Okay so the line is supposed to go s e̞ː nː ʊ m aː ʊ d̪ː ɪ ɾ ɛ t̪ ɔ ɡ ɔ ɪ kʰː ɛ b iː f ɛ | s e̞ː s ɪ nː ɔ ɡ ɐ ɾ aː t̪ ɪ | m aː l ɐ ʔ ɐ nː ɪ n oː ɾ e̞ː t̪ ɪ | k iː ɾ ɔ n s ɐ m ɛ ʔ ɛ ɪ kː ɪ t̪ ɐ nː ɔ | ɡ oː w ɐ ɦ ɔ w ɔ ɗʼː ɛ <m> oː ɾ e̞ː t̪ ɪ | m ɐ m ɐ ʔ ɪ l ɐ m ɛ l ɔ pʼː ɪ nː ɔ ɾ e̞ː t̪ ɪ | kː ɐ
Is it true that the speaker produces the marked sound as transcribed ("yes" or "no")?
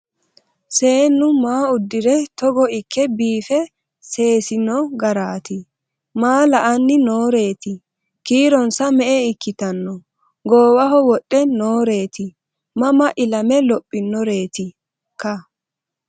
no